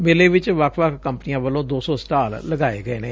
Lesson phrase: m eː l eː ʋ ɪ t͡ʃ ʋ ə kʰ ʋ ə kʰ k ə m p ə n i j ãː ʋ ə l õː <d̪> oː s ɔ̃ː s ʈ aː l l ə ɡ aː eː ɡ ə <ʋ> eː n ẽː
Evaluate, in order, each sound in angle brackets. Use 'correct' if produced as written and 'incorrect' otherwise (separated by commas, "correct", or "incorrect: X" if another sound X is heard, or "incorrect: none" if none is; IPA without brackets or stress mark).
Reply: correct, incorrect: none